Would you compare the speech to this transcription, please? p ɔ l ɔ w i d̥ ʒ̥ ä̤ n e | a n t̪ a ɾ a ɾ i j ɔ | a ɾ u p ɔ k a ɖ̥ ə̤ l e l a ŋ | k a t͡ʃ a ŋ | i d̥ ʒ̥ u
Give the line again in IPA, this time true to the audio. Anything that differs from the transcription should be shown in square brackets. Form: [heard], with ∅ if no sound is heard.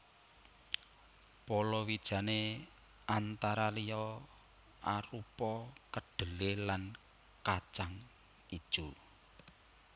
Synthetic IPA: p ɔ l ɔ w i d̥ ʒ̥ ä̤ n e | a n t̪ a ɾ a [l] i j ɔ | a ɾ u p ɔ k [ə] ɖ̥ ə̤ l e l a [n] | k a t͡ʃ a ŋ | i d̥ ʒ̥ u